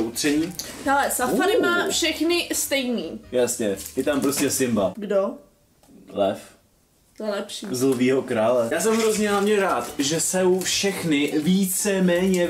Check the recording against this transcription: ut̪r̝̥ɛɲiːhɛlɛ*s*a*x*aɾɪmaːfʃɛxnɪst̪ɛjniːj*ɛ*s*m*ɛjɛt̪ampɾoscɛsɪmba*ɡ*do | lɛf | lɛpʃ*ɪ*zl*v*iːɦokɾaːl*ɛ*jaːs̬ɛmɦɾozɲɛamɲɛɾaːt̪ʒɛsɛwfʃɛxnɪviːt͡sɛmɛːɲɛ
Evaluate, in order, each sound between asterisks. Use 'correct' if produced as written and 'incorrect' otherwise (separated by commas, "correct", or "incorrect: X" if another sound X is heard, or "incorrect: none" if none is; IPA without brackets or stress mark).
correct, incorrect: f, incorrect: a, incorrect: ɲ, correct, incorrect: i, correct, correct